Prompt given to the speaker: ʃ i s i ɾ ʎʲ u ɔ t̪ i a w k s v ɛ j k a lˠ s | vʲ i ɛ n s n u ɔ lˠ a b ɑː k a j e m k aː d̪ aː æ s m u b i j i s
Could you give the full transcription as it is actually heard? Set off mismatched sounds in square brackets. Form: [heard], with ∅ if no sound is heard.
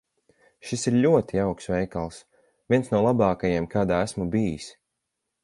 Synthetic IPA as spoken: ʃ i s i ɾ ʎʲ u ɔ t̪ i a w k s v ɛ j k a lˠ s | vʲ i ɛ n s n u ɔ lˠ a b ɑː k a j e m k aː d̪ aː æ s m u b i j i s